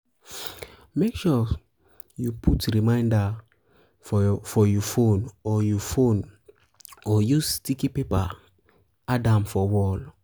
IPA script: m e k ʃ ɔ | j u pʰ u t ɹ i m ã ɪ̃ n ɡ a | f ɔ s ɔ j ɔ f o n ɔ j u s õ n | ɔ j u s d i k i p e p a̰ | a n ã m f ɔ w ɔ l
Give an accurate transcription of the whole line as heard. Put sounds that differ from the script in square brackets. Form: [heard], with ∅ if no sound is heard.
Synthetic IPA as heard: m e k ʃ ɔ | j u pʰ u t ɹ i m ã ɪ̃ n [d] a | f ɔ [f] ɔ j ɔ f o n ɔ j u [f] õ n | ɔ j u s [t] i k i p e p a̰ | a [d] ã m f ɔ w ɔ l

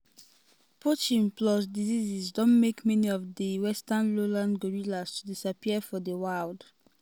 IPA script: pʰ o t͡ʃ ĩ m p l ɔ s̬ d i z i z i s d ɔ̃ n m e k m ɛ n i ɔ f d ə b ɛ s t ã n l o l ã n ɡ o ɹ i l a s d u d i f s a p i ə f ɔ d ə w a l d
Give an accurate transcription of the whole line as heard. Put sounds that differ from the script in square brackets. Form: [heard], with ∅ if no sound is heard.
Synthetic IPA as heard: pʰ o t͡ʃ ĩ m p l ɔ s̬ d i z i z i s d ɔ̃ n m e k m ɛ n i ɔ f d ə [w] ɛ s t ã n l o l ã n ɡ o ɹ i l a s [t] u d i [∅] s a p i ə f ɔ d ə w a l d

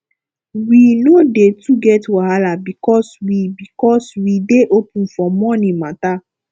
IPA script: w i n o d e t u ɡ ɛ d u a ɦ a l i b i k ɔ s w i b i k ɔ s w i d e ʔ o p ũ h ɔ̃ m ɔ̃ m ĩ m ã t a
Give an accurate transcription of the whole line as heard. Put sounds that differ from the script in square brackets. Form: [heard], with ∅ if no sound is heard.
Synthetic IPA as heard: w i n o d e t u ɡ ɛ [t] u a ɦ a l [a] b i k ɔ s w i b i k ɔ s w i d e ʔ o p ũ [f] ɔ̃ m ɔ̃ [n] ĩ m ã t a

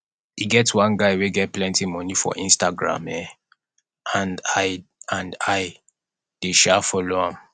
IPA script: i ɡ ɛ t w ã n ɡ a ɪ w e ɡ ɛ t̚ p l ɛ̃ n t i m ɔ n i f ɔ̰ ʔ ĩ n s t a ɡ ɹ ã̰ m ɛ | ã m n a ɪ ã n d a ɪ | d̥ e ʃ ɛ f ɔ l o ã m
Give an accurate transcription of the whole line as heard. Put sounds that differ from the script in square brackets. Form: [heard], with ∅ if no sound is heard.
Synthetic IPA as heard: i ɡ ɛ t w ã n ɡ a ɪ w e ɡ ɛ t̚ p l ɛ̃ n t i m ɔ n i f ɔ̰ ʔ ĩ n s t a ɡ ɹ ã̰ m ɛ | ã [∅] n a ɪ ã n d a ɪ | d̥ e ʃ ɛ f ɔ l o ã m

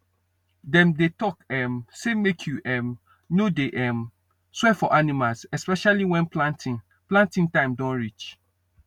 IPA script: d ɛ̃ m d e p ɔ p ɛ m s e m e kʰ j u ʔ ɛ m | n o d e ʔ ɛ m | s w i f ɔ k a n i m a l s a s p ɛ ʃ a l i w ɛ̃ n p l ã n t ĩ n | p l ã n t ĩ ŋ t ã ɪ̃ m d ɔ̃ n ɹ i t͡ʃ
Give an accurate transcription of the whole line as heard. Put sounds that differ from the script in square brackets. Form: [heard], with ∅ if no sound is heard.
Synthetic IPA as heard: d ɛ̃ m d e [t] ɔ [k] ɛ m s e m e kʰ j u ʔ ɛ m | n o d e ʔ ɛ m | s w [ɛ] f ɔ [ʔ] a n i m a l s [ɛ] s p ɛ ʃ a l i w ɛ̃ n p l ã n t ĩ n | p l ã n t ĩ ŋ t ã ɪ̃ m d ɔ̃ n ɹ i t͡ʃ

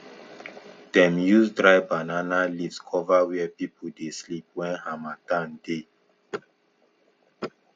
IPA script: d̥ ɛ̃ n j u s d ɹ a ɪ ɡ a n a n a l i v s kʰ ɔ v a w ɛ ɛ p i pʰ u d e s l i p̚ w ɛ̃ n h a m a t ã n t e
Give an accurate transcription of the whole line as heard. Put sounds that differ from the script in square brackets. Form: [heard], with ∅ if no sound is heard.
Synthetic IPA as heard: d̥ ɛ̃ [m] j u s d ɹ a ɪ [b] a n a n a l i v s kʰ ɔ v a w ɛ ɛ p i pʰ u d e s l i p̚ w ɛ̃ n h a m a t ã n [d] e

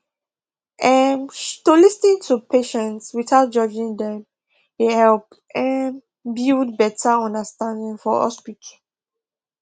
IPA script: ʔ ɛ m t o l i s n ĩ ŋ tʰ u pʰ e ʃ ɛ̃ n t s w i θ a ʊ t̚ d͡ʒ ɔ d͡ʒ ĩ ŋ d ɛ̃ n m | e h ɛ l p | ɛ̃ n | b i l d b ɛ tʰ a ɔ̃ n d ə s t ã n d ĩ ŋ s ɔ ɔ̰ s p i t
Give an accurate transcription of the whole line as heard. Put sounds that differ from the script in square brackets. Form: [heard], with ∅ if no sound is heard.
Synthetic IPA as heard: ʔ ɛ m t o l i s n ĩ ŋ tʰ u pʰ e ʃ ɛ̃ n t s w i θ a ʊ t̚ d͡ʒ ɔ d͡ʒ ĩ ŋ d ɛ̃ [∅] m | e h ɛ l p | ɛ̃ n | b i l d b ɛ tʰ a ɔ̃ n d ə s t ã n d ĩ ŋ [f] ɔ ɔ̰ s p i t

